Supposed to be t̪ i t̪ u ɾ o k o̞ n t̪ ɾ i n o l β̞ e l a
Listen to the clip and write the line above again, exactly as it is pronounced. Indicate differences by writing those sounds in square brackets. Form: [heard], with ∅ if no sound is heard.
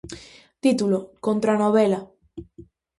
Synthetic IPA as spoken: t̪ i t̪ u [l] o k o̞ n t̪ ɾ [a] n o [∅] β̞ e l a

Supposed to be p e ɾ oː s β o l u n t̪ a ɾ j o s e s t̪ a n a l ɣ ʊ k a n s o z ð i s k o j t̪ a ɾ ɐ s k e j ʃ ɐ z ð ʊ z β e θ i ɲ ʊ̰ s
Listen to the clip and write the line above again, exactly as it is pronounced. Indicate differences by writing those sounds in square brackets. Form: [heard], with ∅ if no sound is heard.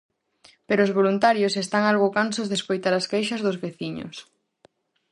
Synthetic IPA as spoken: p e ɾ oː [z] β o l u n t̪ a ɾ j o s e s t̪ a [ŋ] a l ɣ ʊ k a n s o z ð [e] s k o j t̪ a ɾ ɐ s k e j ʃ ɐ z ð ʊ z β e θ i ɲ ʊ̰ s

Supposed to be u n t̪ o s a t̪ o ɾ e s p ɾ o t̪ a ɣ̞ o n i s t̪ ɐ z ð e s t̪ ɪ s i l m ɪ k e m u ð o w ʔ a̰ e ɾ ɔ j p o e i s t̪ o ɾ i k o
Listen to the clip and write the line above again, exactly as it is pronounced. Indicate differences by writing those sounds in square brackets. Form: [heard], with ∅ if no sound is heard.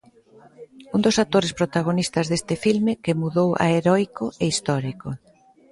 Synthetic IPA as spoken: u n [d̪] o s a t̪ o ɾ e s p ɾ o t̪ a ɣ̞ o n i s t̪ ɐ z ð e s t̪ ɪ [f] i l m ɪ k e m u ð o w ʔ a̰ e ɾ ɔ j [k] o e i s t̪ [ɔ] ɾ i k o

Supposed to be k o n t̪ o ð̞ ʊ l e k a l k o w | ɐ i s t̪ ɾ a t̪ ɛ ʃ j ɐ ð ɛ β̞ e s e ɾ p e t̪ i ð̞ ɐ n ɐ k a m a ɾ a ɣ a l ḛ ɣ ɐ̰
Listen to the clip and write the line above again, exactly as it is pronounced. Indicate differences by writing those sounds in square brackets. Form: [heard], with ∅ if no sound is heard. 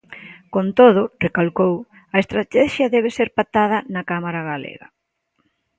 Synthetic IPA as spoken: k o n t̪ o ð̞ ʊ [r] e k a l k o w | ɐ [e] s t̪ ɾ a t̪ ɛ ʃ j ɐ ð ɛ β̞ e s e ɾ p [a] t̪ [a] ð̞ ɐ n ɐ k a m a ɾ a ɣ a l ḛ ɣ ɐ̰

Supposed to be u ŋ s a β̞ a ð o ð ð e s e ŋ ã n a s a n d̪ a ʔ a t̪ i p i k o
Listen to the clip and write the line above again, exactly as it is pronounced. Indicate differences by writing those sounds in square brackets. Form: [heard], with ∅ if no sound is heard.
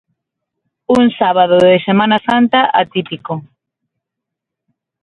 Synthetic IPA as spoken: u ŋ s a β̞ a ð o ð ð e s e [m] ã n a s a n [t̪] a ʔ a t̪ i p i k o

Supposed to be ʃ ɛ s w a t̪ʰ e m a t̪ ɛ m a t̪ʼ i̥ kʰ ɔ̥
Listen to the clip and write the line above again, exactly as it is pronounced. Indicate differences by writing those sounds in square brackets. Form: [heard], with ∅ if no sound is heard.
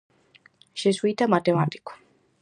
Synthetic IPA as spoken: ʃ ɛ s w [i] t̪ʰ [a] m a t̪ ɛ m a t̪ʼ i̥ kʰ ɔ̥

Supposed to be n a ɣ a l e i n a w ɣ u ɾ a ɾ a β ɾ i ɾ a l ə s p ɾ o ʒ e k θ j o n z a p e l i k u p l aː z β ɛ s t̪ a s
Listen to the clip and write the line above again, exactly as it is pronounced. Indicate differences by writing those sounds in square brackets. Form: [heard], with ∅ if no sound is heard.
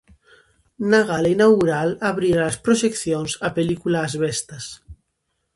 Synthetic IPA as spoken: n a ɣ a l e i n a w ɣ u ɾ a [l] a β ɾ i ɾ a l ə s p ɾ o ʒ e k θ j o n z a p e l i k u [∅] l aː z β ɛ s t̪ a s

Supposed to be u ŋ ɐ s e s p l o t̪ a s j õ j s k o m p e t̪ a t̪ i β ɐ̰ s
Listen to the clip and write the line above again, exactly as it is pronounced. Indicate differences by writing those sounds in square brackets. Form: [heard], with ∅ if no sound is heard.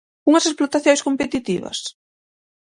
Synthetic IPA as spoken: u ŋ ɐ s e s p l o t̪ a [θ] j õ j s k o m p e t̪ [i] t̪ i β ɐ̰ s

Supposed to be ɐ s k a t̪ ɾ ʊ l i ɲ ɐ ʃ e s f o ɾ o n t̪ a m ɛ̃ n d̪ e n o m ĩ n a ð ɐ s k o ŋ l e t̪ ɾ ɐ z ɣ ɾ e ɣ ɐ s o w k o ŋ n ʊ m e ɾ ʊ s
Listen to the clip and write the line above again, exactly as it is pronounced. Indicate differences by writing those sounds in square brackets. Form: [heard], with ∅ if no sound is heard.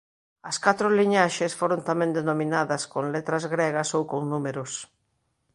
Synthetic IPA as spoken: ɐ s k a t̪ ɾ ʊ l i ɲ [a] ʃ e s f o ɾ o n t̪ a m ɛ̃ n d̪ e n o m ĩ n a ð ɐ s k o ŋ l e t̪ ɾ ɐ z ɣ ɾ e ɣ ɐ s o w k o ŋ n [u] m e ɾ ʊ s

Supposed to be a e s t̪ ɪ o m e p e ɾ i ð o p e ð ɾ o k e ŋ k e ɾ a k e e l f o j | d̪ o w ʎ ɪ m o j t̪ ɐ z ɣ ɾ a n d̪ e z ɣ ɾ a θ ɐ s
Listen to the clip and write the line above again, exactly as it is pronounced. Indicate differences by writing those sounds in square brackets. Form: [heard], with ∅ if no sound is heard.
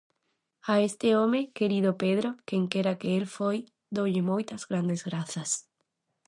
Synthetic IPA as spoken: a e s t̪ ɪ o m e [k] e ɾ i ð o p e ð ɾ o k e ŋ k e ɾ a k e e l f o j | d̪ o w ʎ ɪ m o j t̪ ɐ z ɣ ɾ a n d̪ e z ɣ ɾ a θ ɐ s

